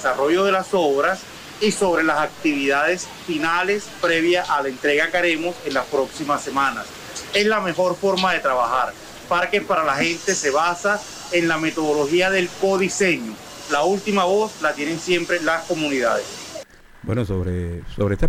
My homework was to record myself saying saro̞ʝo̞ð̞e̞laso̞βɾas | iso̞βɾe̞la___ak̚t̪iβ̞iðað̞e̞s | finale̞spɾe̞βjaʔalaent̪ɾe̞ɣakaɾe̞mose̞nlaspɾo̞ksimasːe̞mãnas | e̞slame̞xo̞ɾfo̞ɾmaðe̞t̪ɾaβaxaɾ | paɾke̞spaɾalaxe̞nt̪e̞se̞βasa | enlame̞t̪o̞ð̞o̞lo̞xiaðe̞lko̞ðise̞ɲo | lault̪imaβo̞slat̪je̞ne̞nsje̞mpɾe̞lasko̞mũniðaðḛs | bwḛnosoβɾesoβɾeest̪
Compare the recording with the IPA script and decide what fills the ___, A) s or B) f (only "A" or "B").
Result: A